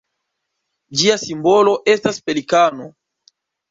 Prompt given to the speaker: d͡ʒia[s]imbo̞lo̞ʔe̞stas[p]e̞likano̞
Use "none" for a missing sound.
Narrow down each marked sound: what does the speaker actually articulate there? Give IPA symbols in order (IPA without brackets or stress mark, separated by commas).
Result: s, p